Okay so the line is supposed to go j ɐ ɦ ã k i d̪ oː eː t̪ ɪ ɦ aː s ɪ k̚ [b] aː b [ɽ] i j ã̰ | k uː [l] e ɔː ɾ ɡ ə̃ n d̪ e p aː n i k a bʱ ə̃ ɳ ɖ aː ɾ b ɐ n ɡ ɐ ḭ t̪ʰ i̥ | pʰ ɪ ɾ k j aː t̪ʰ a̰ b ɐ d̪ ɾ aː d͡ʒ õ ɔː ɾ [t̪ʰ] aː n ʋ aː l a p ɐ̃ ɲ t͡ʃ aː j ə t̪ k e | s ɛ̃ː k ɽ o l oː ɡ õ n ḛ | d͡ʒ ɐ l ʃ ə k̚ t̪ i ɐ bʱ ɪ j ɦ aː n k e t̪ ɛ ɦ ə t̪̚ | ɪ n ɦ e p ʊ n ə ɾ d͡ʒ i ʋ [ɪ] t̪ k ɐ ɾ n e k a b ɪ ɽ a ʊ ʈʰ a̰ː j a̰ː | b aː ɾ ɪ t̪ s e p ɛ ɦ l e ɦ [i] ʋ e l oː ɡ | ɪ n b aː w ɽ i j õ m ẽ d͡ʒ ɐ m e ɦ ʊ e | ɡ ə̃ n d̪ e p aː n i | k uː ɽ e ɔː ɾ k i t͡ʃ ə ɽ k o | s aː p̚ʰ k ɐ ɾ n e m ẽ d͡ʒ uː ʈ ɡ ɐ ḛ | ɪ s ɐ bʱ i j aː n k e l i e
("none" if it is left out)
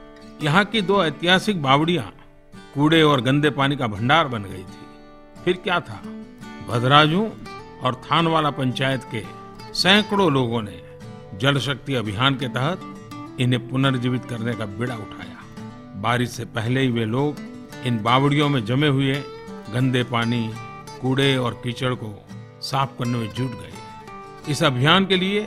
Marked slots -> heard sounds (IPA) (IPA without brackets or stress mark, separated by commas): b, ɽ, ɽ, t̪ʰ, ɪ, i